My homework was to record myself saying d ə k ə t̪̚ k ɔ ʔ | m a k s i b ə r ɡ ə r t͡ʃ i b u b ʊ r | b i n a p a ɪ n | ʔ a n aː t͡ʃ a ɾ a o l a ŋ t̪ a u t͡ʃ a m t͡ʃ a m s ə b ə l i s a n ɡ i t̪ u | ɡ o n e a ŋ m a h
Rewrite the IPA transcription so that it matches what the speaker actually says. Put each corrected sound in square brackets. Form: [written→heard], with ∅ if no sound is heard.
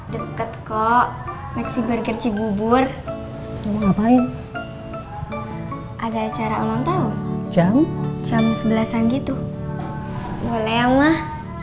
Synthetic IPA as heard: d ə k ə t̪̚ k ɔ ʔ | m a k s i b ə r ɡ ə r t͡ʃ i b u b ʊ r | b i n a p a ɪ n | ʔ a [n→d] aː t͡ʃ a ɾ a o l a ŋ t̪ a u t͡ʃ a m t͡ʃ a m s ə b ə l [i→a] s a n ɡ i t̪ u | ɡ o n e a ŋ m a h